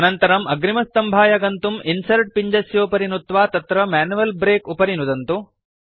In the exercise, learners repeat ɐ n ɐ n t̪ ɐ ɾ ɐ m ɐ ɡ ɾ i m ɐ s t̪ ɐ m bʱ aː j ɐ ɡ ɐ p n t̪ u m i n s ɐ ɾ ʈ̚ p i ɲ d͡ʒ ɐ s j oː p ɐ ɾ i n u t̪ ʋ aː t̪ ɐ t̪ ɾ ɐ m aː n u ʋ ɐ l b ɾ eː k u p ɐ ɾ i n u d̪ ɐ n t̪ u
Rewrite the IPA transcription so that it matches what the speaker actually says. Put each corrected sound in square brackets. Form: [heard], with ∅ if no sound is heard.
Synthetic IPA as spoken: ɐ n ɐ n t̪ ɐ ɾ ɐ m ɐ ɡ ɾ i m ɐ s t̪ ɐ m bʱ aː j ɐ ɡ ɐ [∅] n t̪ u m i n s ɐ ɾ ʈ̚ p i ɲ d͡ʒ ɐ s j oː p ɐ ɾ i n u t̪ ʋ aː t̪ ɐ t̪ ɾ ɐ m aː n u ʋ ɐ l b ɾ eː k u p ɐ ɾ i n u d̪ ɐ n t̪ u